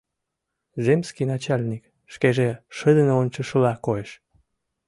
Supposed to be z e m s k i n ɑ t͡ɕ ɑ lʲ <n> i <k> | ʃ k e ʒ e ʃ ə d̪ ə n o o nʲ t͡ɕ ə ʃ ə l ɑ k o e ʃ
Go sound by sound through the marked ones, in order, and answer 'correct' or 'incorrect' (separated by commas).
correct, correct